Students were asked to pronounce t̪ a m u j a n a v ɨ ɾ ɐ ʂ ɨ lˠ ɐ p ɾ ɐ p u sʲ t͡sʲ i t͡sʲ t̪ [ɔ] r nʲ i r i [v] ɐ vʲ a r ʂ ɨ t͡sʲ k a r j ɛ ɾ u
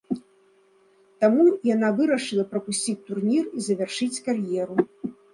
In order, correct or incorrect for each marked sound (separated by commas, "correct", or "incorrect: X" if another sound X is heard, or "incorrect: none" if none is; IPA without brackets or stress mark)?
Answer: incorrect: u, incorrect: z